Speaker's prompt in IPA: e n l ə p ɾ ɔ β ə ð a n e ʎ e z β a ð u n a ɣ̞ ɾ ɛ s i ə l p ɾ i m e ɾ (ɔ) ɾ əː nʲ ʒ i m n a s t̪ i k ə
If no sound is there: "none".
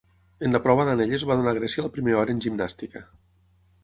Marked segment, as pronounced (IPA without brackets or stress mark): ɔ